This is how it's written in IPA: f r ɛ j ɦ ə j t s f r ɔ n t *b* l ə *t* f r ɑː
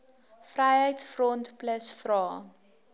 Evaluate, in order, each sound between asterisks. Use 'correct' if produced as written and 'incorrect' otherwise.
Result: incorrect: p, incorrect: s

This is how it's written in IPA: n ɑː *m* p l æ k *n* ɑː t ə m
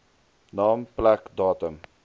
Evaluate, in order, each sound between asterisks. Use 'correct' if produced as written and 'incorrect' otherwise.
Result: correct, incorrect: d

